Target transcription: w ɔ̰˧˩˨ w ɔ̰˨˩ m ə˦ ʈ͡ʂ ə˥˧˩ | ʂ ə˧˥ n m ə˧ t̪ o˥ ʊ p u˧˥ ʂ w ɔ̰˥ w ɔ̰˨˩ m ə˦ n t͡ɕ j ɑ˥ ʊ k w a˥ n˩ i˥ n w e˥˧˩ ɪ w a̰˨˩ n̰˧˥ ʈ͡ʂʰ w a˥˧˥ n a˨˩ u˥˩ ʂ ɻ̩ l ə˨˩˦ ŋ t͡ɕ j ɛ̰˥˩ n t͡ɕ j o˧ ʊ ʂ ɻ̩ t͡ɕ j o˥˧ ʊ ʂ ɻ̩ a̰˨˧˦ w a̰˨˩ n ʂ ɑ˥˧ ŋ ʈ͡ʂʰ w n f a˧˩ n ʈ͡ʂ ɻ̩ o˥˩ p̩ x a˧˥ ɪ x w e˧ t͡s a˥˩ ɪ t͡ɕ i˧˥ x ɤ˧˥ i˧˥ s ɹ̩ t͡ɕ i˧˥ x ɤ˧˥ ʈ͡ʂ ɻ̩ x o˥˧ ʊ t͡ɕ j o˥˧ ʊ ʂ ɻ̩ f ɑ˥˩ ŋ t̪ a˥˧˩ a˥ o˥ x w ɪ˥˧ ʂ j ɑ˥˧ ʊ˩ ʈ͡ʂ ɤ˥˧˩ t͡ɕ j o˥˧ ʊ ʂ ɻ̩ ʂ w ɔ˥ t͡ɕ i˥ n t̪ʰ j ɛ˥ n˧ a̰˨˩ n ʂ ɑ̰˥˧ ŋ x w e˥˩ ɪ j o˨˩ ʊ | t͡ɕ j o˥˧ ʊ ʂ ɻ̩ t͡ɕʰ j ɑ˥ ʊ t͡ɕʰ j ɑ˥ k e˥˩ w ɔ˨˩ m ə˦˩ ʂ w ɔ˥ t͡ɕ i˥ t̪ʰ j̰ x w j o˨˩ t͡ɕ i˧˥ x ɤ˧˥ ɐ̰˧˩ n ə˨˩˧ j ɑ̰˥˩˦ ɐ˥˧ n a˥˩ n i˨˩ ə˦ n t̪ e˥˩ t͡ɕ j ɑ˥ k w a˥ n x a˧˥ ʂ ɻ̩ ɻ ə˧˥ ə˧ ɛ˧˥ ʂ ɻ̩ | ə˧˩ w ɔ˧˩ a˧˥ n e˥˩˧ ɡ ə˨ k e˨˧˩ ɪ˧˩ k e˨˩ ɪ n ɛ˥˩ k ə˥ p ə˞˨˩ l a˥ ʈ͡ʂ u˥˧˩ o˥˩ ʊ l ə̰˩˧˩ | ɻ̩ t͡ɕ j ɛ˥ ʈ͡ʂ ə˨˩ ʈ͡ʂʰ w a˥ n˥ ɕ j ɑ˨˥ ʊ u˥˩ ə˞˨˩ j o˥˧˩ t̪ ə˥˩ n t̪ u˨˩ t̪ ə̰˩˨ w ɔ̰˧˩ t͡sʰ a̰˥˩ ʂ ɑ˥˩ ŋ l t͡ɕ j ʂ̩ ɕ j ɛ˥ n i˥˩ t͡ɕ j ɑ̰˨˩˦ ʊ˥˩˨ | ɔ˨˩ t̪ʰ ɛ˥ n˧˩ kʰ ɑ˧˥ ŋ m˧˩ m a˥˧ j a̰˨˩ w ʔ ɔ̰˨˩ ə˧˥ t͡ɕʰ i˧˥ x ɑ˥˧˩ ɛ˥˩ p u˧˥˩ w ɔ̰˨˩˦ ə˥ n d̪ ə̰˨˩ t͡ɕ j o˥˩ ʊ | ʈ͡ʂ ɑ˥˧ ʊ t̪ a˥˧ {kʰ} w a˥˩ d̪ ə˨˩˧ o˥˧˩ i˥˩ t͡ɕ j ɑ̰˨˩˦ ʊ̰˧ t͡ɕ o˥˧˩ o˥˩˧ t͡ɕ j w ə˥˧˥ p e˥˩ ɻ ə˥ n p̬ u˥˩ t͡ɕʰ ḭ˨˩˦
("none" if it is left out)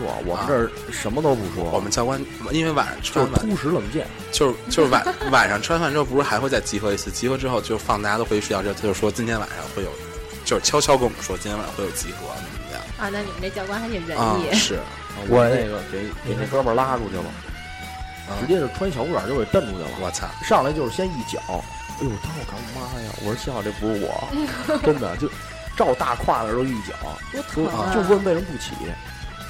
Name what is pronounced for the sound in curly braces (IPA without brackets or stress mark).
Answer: kʰ